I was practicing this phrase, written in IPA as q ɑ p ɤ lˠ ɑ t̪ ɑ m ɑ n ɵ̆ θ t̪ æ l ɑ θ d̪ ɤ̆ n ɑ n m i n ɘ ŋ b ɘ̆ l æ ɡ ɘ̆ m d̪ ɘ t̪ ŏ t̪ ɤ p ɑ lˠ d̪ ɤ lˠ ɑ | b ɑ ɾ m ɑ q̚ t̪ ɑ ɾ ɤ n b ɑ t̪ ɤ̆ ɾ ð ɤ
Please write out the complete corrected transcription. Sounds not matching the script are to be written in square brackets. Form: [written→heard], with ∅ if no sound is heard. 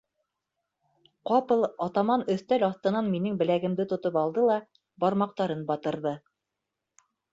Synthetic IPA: q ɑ p ɤ lˠ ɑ t̪ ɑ m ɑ n ɵ̆ θ t̪ æ l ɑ θ [d̪→t̪] ɤ̆ n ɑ n m i n ɘ ŋ b ɘ̆ l æ ɡ ɘ̆ m d̪ ɘ t̪ ŏ t̪ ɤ p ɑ lˠ d̪ ɤ lˠ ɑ | b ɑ ɾ m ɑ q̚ t̪ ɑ ɾ ɤ n b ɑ t̪ ɤ̆ ɾ ð ɤ